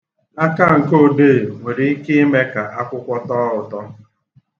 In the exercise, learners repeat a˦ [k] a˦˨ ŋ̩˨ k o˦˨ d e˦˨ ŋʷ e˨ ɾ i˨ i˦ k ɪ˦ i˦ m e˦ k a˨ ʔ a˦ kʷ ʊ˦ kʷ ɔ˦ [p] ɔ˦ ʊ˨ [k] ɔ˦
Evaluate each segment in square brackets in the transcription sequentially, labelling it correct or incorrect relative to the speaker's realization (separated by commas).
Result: correct, incorrect, incorrect